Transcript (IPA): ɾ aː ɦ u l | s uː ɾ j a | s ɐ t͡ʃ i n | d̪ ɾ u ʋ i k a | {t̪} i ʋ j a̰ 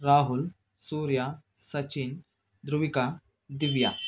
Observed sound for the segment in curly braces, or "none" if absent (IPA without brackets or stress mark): d̪